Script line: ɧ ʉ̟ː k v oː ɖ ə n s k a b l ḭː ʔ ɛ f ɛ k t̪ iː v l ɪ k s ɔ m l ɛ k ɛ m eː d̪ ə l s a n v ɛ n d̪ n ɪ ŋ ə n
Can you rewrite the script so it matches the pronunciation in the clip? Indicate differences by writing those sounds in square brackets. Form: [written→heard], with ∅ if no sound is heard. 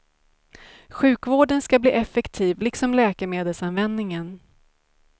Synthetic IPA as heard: ɧ ʉ̟ː k v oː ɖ ə n s k a b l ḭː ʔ ɛ f ɛ k [t̪→t̪ʰ] iː v l ɪ k s ɔ m l [ɛ→ɛː] k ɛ m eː d̪ ə l s a n v ɛ n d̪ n ɪ ŋ ə n